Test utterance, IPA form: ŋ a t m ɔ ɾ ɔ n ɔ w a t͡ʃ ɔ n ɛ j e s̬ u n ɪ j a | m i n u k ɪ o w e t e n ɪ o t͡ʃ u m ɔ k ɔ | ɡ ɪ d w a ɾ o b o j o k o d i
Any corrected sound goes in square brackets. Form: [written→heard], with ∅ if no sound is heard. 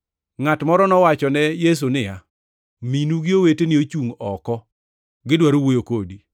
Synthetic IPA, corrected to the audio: ŋ a t m ɔ ɾ ɔ n ɔ w a t͡ʃ ɔ n ɛ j e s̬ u n ɪ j a | m i n u [k→ɡ] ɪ o w e t e n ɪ o t͡ʃ u [m→ŋ] ɔ k ɔ | ɡ ɪ d w a ɾ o [b→w] o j o k o d i